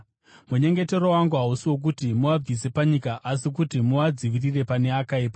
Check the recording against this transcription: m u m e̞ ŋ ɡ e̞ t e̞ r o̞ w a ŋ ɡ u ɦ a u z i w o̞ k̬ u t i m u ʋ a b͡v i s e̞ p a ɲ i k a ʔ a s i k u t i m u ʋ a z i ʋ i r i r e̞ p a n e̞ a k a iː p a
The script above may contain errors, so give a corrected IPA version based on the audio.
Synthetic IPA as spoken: m u ɲ e̞ ŋ ɡ e̞ t e̞ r o̞ w a ŋ ɡ u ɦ a u s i w o̞ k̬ u t i m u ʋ a b͡v i s e̞ p a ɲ i k a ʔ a s i k u t i m u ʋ a d͡z i ʋ i r i r e̞ p a n e̞ a k a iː p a